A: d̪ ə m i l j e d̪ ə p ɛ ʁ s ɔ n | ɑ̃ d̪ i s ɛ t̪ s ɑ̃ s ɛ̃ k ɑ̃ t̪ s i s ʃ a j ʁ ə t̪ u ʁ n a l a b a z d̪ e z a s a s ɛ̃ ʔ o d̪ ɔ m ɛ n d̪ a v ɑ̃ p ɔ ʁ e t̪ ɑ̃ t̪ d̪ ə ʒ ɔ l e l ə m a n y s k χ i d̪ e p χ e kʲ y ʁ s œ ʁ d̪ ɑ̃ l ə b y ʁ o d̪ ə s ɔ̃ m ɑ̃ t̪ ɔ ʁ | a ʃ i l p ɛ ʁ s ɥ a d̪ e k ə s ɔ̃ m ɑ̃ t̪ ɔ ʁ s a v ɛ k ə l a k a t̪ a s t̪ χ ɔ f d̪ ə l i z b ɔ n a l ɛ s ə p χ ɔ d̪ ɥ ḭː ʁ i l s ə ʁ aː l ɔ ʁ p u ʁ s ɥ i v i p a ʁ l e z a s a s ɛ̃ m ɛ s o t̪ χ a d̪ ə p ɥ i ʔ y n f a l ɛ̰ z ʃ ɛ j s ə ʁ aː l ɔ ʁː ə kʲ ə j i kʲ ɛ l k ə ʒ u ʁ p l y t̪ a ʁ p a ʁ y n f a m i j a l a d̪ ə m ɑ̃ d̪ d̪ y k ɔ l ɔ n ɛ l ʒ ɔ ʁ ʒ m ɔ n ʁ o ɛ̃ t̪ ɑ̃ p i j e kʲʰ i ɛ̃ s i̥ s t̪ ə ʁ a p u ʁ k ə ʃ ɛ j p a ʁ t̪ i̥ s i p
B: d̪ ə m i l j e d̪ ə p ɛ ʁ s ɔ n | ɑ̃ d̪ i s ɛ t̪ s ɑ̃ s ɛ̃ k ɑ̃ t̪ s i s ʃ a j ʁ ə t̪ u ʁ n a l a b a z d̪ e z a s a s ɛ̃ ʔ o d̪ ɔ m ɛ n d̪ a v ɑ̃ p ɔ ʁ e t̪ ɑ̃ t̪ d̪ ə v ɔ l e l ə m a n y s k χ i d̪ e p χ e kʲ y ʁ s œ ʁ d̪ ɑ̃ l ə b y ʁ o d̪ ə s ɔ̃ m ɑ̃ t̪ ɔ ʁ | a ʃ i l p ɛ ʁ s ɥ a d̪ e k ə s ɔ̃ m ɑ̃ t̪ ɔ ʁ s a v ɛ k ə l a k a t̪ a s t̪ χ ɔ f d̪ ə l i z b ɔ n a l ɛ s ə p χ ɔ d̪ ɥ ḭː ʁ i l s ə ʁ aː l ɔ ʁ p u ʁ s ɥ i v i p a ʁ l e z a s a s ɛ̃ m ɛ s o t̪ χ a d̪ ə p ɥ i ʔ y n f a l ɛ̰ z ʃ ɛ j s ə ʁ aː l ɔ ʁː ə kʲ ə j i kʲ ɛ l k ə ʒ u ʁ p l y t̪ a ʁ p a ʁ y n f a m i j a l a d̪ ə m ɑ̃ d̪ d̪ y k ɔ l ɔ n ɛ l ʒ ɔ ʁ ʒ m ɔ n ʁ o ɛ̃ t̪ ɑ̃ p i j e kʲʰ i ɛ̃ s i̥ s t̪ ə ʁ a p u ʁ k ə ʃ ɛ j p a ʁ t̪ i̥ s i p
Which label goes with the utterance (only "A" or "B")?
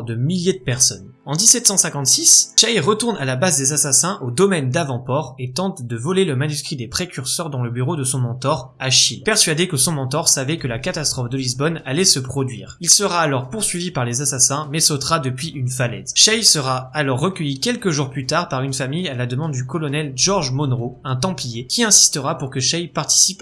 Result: B